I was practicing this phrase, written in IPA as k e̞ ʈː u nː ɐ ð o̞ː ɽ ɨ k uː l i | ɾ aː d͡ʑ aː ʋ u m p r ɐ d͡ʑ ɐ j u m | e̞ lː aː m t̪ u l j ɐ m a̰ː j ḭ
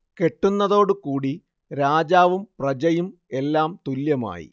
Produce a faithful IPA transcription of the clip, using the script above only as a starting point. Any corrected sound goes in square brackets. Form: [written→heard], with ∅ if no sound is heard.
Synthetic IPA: k e̞ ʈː u nː ɐ ð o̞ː ɽ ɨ k uː [l→ɽ] i | ɾ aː d͡ʑ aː ʋ u m p r ɐ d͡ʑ ɐ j u m | e̞ lː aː m t̪ u l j ɐ m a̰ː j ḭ